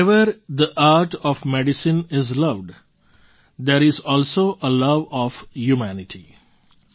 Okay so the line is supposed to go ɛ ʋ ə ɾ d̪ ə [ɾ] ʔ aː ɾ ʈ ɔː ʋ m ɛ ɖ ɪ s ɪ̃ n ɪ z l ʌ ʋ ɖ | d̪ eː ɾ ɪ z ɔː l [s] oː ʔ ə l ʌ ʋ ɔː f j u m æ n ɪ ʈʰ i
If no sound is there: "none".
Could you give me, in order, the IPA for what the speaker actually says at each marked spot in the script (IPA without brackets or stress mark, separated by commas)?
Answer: none, s